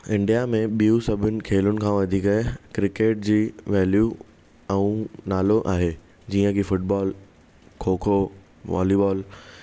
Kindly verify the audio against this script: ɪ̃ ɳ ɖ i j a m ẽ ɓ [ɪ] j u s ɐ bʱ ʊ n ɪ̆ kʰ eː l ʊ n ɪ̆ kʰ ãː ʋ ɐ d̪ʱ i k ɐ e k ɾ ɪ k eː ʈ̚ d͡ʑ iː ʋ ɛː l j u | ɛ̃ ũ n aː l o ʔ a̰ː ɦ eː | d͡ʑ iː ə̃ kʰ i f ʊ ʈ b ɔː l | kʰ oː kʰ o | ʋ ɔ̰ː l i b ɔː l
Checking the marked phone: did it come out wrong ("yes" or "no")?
yes